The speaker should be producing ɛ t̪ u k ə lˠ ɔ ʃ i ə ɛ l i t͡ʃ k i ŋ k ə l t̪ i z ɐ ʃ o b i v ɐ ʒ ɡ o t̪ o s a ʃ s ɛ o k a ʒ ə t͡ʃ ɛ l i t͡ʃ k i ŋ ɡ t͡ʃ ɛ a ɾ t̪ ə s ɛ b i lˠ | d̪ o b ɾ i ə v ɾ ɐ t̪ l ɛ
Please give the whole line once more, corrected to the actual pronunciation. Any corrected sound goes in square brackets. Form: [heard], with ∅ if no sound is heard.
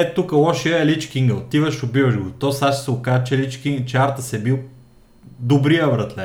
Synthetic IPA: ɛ t̪ u k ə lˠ ɔ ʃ i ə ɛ l i t͡ʃ k i ŋ [ɡ] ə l t̪ i [v] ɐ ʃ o b i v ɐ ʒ ɡ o t̪ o s a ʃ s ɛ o k a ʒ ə t͡ʃ ɛ l i t͡ʃ k i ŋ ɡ t͡ʃ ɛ a ɾ t̪ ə s ɛ b i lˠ | d̪ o b ɾ i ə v ɾ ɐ t̪ l ɛ